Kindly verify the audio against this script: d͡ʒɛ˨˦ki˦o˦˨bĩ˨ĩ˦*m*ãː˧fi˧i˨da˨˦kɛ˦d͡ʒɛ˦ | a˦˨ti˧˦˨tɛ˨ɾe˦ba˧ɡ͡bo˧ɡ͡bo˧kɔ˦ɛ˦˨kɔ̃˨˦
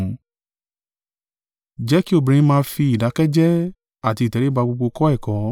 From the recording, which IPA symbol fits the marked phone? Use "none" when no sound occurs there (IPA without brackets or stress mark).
m